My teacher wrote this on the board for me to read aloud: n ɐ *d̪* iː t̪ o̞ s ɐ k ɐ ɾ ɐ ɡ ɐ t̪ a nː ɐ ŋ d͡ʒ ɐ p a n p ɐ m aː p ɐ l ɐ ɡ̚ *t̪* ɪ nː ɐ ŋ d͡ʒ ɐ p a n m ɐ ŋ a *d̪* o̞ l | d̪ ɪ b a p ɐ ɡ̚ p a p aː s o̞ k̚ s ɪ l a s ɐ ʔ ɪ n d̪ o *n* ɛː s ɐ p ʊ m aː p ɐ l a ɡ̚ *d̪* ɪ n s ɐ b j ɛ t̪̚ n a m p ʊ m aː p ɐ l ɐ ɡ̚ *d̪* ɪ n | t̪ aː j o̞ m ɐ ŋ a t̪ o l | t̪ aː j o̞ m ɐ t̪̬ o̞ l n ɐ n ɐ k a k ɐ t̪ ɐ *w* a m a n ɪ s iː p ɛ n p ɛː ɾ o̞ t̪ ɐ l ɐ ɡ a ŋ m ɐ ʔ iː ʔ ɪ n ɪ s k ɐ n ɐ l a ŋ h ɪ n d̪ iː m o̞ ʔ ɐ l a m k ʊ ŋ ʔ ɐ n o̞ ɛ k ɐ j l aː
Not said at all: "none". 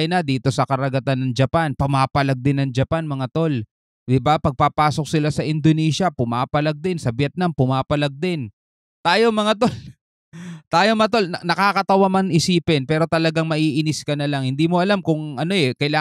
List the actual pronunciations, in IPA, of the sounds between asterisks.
d̪, d̪, t̪, n, d̪, d̪, w

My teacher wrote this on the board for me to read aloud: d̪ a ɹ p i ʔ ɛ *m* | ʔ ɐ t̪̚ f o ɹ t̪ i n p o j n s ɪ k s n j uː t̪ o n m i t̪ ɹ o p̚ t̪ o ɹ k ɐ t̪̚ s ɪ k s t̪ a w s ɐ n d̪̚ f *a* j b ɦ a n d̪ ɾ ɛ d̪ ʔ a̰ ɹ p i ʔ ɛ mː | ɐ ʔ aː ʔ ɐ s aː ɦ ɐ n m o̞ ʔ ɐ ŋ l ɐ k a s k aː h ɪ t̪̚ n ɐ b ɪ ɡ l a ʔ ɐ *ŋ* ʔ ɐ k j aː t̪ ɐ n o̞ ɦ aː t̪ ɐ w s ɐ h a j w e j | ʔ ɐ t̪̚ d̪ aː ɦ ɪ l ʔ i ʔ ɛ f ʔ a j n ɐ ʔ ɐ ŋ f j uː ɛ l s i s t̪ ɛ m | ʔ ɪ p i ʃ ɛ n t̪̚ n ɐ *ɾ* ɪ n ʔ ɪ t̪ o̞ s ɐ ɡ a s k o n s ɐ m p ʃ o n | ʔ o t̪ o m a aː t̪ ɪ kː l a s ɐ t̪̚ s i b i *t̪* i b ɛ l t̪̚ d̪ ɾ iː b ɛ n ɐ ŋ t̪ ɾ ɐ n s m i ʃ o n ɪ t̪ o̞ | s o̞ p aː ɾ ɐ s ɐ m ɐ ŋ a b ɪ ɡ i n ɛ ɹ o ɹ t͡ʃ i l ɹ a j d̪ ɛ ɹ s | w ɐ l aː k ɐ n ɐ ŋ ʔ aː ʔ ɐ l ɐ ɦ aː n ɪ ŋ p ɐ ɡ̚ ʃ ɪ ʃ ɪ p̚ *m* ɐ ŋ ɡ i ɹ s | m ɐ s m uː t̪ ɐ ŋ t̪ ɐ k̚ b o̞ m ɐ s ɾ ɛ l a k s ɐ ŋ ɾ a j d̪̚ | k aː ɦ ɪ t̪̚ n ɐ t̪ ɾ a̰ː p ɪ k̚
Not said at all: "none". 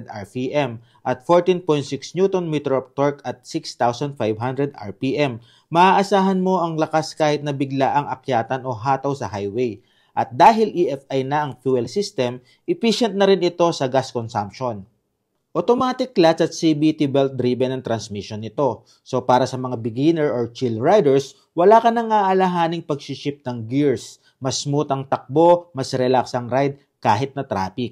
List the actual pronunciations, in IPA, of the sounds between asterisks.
m, a, ŋ, ɾ, t̪, n

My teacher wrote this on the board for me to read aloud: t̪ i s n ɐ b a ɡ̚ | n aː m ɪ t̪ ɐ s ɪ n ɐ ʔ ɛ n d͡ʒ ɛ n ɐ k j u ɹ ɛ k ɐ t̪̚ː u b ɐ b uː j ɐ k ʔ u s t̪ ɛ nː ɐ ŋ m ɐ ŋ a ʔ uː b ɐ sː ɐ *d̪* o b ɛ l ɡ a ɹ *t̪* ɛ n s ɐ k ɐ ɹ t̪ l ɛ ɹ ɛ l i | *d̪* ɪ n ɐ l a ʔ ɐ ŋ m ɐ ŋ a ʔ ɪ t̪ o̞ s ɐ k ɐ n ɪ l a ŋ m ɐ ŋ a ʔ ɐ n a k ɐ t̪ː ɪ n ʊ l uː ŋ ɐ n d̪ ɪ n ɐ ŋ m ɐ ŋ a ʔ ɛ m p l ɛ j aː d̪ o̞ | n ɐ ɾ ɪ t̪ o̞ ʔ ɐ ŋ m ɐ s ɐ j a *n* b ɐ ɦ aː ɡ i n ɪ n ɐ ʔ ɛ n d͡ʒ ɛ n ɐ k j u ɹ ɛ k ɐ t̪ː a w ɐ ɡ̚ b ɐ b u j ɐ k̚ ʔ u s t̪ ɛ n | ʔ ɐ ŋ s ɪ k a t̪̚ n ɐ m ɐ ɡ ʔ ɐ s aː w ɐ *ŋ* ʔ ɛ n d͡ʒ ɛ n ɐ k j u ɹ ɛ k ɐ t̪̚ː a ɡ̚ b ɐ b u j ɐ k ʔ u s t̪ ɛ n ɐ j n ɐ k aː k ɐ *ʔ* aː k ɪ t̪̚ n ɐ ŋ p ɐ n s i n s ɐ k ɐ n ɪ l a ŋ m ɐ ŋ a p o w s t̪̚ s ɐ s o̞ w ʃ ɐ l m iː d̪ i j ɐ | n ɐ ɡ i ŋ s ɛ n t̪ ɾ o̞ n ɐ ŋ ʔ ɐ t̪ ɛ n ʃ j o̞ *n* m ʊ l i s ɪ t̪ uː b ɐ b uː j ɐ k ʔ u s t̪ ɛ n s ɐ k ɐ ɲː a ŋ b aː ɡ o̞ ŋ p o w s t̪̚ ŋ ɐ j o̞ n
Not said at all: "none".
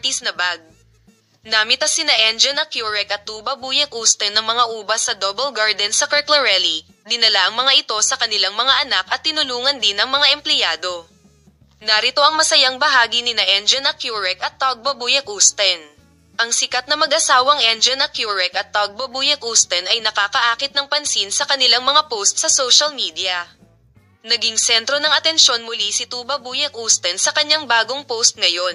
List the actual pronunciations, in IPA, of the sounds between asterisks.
d̪, d̪, d̪, ŋ, ŋ, ʔ, n

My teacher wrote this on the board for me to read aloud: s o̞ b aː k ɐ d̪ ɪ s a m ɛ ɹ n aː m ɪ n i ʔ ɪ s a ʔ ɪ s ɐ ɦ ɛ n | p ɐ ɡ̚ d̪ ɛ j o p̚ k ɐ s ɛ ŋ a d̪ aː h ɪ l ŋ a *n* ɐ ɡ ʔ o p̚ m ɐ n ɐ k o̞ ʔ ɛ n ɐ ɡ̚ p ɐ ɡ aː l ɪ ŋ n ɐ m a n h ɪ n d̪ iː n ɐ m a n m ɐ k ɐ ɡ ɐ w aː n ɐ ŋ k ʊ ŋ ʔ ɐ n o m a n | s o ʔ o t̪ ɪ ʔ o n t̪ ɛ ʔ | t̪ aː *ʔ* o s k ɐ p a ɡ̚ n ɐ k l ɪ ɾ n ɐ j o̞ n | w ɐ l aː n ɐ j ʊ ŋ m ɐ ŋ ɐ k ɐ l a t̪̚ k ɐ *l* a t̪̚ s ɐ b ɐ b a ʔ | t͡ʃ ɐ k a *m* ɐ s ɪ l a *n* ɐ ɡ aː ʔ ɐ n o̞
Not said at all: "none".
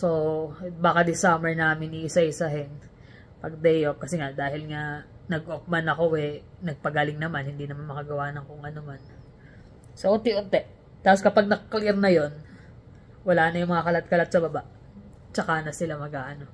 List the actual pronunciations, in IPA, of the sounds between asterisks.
n, p, l, n, m

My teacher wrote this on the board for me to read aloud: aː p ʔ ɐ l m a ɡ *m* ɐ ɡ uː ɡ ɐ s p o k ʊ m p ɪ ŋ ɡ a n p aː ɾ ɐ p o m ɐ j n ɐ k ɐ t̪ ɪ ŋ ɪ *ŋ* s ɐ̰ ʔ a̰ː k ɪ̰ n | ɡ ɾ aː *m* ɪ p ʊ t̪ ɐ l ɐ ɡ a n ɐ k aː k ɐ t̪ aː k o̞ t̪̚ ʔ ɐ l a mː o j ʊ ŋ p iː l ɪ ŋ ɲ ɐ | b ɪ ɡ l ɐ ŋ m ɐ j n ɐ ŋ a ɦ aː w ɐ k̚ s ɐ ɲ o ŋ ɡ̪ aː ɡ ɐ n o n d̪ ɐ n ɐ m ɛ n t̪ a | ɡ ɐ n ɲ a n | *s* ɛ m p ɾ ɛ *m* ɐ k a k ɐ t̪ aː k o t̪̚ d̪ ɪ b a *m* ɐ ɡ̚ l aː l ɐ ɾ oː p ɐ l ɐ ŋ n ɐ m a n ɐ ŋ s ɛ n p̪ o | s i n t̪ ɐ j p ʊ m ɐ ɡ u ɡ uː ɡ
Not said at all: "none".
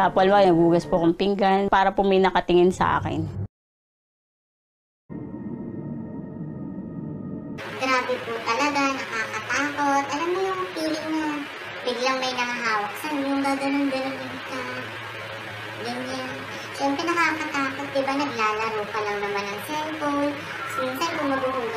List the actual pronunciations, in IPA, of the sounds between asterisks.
n, n, b, ʃ, n, n

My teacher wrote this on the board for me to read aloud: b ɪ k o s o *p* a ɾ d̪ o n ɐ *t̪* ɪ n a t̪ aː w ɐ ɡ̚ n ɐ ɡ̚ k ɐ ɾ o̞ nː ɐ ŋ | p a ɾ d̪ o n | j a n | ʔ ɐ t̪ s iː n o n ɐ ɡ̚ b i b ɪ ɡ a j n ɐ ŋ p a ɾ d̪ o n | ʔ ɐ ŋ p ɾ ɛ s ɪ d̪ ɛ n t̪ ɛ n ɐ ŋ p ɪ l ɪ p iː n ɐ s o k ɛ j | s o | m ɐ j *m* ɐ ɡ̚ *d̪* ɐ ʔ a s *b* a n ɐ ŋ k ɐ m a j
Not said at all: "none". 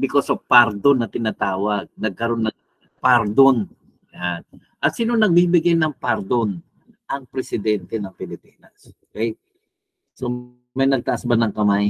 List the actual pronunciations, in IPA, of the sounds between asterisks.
p, t̪, n, t̪, b

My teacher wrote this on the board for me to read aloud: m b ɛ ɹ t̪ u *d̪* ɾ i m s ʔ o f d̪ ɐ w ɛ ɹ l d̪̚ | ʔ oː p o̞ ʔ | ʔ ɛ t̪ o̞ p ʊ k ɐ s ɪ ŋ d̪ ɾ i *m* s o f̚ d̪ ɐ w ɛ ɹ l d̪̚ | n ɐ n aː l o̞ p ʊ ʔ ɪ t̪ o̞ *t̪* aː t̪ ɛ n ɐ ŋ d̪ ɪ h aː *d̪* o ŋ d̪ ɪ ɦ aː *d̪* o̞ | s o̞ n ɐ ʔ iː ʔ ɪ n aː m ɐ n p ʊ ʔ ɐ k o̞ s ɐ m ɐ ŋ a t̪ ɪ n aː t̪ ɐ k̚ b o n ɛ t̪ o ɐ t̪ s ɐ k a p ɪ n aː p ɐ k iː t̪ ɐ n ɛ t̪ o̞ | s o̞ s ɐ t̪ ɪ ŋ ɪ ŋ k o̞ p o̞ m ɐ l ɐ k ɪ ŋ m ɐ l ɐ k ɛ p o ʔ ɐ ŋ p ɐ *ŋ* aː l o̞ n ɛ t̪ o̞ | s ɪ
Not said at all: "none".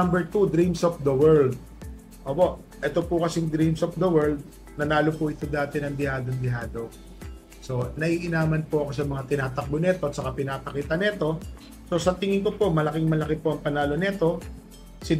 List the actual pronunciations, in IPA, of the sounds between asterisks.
d̪, m, d̪, d̪, d̪, n

